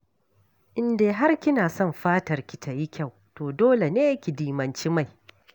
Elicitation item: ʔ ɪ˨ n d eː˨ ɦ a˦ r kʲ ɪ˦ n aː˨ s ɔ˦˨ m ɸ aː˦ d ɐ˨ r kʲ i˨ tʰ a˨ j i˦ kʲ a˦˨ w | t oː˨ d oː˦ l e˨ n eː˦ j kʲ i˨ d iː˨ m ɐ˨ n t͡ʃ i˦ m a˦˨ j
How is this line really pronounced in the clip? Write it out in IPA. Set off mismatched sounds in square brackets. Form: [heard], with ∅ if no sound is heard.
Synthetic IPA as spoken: ʔ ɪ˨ n d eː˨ ɦ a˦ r kʲ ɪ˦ n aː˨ s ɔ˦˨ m ɸ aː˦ [t] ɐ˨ r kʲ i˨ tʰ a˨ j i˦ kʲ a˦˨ w | t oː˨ d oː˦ l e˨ n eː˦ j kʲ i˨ d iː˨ m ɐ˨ n t͡ʃ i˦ m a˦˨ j

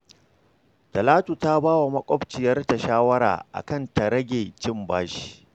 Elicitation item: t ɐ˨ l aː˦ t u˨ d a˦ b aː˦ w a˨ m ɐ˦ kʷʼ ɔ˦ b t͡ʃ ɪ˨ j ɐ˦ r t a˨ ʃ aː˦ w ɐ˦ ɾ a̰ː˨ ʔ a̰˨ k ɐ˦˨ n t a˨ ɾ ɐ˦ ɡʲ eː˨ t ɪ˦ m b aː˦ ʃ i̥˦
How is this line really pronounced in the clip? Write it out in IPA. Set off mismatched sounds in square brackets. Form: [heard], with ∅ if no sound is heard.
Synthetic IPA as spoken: t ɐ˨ l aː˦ t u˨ [t] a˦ b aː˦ w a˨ m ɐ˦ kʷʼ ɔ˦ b t͡ʃ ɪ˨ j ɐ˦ r t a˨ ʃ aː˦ w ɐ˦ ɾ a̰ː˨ ʔ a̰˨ k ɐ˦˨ n t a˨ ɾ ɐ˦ ɡʲ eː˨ [t͡ʃ] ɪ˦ m b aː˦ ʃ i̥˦

